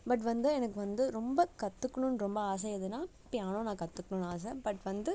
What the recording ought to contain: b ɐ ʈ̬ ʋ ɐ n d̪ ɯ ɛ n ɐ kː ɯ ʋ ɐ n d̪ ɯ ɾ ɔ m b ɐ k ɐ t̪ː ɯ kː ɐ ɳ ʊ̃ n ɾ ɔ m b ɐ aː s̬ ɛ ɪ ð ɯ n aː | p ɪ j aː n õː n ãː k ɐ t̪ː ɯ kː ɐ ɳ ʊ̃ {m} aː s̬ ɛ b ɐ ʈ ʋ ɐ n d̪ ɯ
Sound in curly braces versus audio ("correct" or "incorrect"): incorrect